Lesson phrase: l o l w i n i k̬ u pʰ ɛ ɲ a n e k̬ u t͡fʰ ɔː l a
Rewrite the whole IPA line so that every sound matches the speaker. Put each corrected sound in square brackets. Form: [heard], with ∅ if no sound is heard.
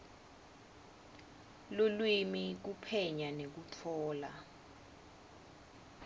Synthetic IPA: l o l w i [m] i k̬ u pʰ ɛ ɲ a n e k̬ u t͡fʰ ɔː l a